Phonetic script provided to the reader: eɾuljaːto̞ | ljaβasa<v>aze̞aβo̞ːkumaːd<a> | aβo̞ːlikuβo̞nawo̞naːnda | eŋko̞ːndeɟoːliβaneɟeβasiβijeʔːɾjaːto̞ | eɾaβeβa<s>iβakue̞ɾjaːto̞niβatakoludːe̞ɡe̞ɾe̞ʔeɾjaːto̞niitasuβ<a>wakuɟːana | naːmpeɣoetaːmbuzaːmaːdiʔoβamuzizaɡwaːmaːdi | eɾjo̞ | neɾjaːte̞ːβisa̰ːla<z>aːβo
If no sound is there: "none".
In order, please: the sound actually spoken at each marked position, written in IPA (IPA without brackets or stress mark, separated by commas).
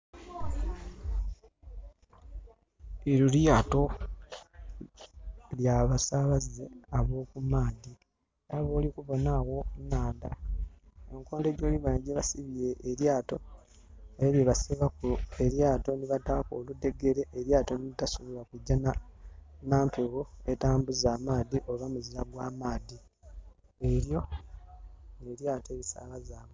β, i, s, i, z